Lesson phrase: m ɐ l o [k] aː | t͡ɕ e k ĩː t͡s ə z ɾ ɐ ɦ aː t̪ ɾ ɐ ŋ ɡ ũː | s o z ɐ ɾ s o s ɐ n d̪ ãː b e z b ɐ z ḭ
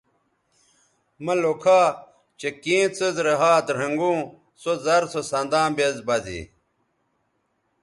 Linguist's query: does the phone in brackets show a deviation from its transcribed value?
yes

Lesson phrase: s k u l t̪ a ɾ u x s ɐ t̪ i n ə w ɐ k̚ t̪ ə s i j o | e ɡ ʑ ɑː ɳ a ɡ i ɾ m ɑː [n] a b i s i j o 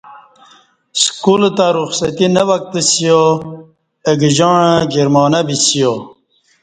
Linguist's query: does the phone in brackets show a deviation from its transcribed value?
no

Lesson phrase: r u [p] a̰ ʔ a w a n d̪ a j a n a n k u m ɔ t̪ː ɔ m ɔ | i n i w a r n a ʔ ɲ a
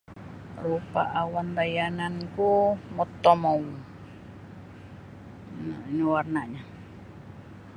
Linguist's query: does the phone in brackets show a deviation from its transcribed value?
no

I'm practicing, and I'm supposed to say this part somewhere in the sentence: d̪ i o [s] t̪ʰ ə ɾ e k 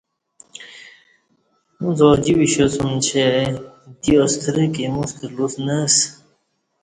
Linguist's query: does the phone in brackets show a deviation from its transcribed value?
no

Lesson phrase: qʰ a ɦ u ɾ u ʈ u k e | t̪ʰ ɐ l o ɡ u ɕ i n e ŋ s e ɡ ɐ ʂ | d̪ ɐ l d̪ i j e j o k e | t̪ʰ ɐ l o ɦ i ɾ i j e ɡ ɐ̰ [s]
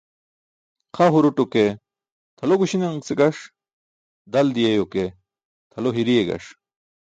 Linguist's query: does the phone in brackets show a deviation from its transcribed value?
yes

